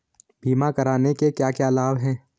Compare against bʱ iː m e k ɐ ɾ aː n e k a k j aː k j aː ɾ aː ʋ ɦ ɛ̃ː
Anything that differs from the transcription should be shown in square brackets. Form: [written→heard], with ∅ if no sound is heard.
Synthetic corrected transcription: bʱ iː m [e→a] k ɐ ɾ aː n e k [a→e] k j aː k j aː [ɾ→l] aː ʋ ɦ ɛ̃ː